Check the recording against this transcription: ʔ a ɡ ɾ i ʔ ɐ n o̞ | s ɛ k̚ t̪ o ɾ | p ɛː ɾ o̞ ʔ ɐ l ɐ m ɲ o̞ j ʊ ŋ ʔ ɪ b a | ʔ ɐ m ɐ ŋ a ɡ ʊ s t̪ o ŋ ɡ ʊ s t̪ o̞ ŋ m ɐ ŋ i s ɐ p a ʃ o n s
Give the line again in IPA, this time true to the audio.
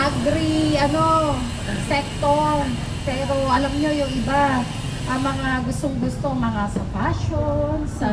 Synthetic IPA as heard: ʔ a ɡ ɾ i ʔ ɐ n o̞ | s ɛ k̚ t̪ o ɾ | p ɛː ɾ o̞ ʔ ɐ l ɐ m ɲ o̞ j ʊ ŋ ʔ ɪ b a | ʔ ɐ m ɐ ŋ a ɡ ʊ s t̪ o ŋ ɡ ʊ s t̪ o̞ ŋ m ɐ ŋ a s ɐ p a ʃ o n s